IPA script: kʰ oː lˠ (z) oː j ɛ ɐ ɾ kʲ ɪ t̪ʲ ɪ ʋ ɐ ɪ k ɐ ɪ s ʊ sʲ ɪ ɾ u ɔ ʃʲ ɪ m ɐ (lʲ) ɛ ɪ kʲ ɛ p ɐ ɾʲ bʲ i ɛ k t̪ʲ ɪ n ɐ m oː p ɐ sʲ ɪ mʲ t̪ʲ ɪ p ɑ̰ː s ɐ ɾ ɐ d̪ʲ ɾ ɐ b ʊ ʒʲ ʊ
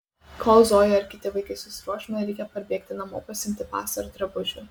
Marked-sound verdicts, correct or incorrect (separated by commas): correct, incorrect